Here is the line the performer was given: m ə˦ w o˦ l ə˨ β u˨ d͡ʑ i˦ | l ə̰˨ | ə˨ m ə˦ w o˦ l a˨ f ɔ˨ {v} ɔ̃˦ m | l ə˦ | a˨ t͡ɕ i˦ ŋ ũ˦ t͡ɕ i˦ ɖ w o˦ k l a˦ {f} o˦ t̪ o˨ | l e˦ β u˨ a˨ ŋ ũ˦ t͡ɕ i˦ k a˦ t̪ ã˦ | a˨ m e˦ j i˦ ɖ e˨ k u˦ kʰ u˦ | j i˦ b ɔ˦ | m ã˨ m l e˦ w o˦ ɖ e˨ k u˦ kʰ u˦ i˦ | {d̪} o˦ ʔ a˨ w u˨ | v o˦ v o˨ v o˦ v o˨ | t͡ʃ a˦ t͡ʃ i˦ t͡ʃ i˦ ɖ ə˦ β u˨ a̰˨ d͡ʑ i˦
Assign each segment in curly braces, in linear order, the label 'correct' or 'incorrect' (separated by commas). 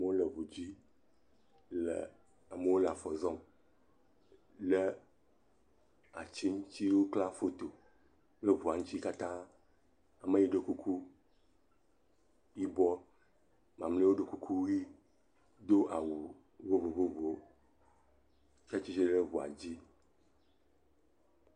incorrect, correct, correct